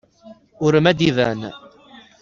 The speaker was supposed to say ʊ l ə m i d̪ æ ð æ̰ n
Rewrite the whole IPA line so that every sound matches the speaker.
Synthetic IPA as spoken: ʊ ɾ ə m æ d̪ i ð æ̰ n